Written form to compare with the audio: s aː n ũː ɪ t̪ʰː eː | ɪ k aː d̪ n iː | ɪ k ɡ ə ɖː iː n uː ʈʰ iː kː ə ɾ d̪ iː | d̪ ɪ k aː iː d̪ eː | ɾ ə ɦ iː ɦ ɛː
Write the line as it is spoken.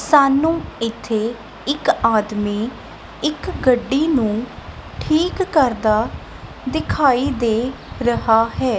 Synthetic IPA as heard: s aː n ũː ɪ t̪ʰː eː | ɪ k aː d̪ m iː | ɪ k ɡ ə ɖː iː n ũː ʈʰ iː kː ə ɾ d̪ aː | d̪ ɪ kʰ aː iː d̪ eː | ɾ ə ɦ aː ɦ ɛː

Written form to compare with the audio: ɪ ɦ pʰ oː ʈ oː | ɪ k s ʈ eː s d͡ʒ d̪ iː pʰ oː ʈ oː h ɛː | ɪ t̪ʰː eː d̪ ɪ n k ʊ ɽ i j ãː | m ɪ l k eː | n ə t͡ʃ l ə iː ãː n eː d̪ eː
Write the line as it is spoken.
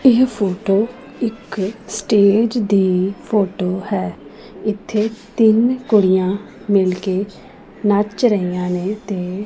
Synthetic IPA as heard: ɪ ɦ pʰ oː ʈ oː | ɪ k s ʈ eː d͡ʒ d̪ iː pʰ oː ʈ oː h ɛː | ɪ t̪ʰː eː t̪ ɪ n k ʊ ɽ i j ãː | m ɪ l k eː | n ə t͡ʃ ɾ ə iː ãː n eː t̪ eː

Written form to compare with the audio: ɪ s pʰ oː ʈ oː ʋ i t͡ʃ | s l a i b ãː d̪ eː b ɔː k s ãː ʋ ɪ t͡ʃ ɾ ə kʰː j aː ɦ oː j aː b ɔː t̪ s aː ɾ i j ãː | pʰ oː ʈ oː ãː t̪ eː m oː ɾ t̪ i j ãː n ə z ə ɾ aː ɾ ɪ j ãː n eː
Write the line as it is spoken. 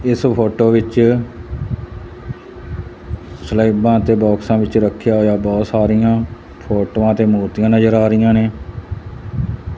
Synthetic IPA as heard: ɪ s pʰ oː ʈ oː ʋ ɪ t͡ʃ | s l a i b ãː t̪ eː b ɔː k s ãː ʋ ɪ t͡ʃ ɾ ə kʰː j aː ɦ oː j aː b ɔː t̪ s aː ɾ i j ãː | pʰ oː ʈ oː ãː t̪ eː m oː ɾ t̪ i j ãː n ə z ə ɾ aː ɾ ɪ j ãː n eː

